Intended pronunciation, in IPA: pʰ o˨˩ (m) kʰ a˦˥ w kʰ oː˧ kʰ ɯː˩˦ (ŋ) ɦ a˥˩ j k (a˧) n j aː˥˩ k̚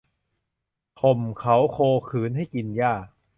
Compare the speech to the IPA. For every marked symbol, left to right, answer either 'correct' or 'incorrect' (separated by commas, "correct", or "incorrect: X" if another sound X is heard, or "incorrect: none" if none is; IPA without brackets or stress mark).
correct, incorrect: n, incorrect: i˧